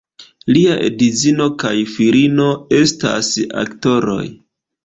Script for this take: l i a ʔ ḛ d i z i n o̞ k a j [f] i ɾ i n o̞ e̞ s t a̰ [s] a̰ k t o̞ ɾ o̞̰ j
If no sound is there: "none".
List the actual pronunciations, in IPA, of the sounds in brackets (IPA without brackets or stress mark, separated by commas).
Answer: f, s